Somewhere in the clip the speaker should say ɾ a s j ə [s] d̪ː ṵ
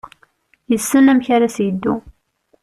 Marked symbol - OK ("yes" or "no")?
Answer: no